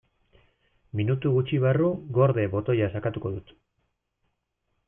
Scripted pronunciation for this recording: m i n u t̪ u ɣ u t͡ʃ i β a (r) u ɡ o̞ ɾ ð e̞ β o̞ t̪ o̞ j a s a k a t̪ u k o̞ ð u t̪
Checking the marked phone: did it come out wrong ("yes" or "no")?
no